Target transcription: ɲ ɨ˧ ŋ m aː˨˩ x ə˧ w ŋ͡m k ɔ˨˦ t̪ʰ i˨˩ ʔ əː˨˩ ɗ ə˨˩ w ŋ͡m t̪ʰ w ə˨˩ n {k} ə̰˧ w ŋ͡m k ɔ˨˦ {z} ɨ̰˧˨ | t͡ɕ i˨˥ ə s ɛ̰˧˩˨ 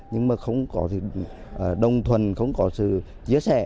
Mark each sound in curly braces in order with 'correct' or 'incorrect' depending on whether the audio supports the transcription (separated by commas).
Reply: incorrect, incorrect